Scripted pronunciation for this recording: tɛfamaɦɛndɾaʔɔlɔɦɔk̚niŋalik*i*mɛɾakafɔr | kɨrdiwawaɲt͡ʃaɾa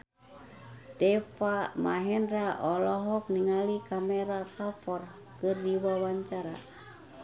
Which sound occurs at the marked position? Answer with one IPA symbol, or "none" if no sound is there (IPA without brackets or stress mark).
a